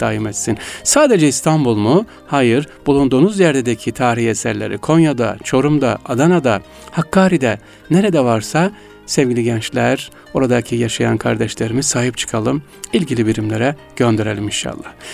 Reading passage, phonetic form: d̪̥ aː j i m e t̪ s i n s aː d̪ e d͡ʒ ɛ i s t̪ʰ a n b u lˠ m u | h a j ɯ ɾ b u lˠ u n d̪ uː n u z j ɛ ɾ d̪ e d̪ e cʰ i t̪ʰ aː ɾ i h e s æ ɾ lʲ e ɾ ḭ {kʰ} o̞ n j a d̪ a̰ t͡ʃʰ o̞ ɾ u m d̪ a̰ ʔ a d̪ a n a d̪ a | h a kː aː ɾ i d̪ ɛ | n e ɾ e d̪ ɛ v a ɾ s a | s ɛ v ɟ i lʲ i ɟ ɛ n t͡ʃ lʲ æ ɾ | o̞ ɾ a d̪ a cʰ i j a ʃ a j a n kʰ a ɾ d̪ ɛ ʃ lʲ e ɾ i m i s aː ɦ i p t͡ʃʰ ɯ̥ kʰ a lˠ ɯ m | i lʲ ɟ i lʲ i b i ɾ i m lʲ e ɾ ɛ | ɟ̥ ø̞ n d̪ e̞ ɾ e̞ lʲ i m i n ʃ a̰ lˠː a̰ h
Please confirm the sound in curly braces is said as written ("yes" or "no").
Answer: yes